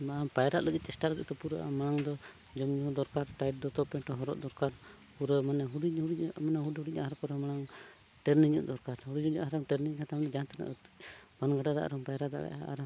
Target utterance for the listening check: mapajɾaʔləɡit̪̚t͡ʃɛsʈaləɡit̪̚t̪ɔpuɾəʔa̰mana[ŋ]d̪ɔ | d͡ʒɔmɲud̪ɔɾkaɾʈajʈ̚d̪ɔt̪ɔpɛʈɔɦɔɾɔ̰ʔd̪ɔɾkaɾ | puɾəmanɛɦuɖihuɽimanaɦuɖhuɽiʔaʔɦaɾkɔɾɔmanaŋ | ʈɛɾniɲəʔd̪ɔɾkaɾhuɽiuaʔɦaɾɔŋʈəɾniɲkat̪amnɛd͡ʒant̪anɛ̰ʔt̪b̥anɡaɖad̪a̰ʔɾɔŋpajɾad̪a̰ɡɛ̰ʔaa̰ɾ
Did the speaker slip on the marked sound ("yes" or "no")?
no